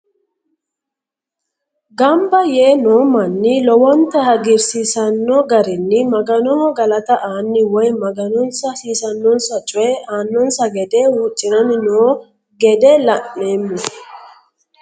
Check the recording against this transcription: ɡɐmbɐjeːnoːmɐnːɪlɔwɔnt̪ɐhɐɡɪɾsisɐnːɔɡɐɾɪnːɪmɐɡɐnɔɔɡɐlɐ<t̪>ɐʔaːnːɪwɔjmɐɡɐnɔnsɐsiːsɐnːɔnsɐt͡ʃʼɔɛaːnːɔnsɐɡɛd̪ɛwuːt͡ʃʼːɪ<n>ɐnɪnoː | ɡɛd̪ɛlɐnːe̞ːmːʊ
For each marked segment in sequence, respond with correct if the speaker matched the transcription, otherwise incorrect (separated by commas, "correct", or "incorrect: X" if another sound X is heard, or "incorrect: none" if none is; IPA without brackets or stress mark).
correct, correct